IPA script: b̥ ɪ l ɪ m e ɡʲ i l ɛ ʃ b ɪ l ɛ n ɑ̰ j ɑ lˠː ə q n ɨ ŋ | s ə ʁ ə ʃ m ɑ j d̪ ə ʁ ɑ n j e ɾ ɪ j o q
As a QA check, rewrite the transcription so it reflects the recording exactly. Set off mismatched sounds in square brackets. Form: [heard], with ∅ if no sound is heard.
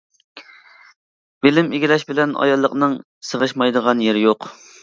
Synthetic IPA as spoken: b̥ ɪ l ɪ m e ɡʲ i l ɛ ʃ b ɪ l ɛ n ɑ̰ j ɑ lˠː ə q n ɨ ŋ | s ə ʁ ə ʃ m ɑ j d̪ ə ʁ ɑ n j e ɾ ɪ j o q